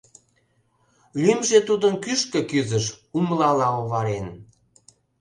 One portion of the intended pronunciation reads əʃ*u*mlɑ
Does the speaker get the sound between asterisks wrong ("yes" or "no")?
no